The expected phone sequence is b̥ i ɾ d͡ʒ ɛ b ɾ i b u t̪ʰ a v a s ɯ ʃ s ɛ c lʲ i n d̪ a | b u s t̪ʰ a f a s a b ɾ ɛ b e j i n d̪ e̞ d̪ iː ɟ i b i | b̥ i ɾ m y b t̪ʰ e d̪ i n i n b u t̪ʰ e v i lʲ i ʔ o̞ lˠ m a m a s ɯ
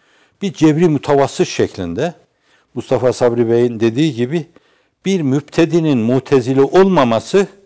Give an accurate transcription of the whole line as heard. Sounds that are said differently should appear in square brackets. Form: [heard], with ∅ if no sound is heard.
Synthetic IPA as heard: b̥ i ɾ d͡ʒ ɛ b ɾ i [m] u t̪ʰ a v a s ɯ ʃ [ʃ] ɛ c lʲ i n d̪ [ɛ] | [m] u s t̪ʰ a f a s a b ɾ [i] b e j i n d̪ e̞ d̪ iː ɟ i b i | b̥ i ɾ m y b t̪ʰ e d̪ i n i n [m] u t̪ʰ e [z] i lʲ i ʔ o̞ lˠ m a m a s ɯ